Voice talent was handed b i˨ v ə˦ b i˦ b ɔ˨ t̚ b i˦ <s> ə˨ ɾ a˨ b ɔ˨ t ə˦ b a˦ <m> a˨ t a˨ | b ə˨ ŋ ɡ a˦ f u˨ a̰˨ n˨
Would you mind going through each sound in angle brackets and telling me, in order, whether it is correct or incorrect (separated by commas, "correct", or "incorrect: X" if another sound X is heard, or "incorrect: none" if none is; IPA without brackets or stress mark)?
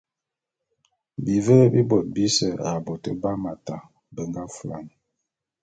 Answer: correct, correct